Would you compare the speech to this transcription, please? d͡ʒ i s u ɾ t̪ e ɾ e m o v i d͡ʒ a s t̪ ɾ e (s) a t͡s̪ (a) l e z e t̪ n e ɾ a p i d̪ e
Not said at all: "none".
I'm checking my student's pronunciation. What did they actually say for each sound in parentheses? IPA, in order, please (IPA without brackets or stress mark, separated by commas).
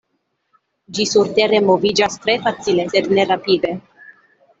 f, i